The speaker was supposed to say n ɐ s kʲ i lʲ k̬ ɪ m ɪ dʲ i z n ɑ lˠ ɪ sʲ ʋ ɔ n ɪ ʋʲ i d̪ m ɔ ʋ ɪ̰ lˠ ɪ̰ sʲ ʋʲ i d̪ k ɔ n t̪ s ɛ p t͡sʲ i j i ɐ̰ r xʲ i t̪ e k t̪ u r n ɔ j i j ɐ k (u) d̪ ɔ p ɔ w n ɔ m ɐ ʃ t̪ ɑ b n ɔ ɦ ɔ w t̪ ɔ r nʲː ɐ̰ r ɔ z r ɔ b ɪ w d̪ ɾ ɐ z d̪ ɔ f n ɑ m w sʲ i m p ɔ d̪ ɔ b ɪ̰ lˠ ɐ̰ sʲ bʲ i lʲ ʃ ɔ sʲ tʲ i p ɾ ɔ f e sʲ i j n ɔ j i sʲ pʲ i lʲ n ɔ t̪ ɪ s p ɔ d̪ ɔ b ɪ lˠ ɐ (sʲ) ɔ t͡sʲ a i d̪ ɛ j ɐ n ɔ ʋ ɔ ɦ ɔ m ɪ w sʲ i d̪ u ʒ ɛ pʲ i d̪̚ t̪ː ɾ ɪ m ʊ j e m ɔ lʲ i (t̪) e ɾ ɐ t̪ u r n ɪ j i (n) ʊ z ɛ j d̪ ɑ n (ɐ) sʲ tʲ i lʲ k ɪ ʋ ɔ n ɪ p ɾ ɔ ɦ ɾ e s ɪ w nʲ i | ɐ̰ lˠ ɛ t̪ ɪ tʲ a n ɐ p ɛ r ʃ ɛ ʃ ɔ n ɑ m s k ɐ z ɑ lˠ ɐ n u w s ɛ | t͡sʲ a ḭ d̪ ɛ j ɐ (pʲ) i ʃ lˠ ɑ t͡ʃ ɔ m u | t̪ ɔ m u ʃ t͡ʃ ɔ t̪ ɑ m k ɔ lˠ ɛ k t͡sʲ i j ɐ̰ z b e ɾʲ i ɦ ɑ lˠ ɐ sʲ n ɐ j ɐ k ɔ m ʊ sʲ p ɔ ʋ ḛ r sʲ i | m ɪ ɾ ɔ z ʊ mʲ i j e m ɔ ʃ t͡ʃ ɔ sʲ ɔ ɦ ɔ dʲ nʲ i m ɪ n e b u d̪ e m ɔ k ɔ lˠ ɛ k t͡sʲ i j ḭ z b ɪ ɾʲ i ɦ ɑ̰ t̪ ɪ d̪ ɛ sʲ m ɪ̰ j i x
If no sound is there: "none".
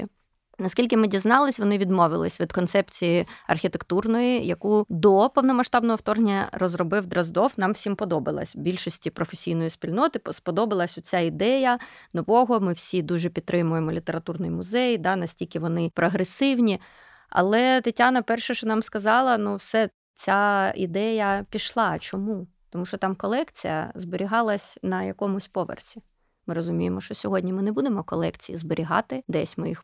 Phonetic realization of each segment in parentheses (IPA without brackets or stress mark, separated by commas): u, sʲ, t̪, m, ɐ, pʲ